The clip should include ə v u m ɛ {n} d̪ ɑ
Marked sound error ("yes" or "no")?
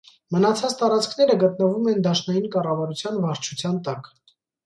no